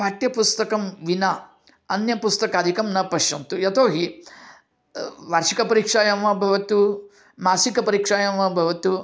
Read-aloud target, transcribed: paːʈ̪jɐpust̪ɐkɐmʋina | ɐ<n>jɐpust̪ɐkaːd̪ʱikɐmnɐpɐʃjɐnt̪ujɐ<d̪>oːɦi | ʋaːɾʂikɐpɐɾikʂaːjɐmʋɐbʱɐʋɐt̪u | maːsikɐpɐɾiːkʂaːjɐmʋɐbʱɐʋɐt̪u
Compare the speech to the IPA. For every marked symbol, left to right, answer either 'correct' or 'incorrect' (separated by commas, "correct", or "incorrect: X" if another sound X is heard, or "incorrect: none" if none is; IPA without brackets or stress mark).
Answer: correct, incorrect: t̪